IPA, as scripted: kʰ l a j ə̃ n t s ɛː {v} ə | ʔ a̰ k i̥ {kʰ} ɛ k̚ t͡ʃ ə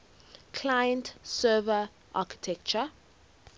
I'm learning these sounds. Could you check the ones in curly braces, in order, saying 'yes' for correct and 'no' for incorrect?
yes, no

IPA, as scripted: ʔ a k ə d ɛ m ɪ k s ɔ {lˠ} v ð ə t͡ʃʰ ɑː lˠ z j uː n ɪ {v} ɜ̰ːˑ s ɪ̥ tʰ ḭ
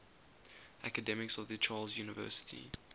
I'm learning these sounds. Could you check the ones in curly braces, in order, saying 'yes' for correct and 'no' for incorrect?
no, yes

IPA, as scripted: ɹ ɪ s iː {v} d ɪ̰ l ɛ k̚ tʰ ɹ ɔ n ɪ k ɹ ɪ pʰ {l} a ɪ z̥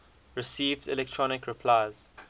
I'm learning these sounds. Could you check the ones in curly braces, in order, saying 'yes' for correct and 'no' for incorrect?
yes, yes

